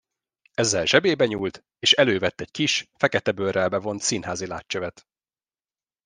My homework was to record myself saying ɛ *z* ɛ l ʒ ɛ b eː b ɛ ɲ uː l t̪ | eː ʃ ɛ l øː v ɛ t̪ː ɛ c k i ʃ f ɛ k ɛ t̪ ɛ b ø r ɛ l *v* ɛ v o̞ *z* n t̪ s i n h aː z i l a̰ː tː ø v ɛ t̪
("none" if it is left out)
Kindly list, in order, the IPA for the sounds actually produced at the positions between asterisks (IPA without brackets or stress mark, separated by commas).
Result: zː, b, none